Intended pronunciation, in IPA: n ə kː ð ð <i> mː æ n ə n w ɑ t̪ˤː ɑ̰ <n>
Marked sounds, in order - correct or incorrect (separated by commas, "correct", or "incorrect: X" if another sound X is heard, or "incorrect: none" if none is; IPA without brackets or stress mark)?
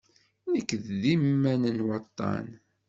correct, correct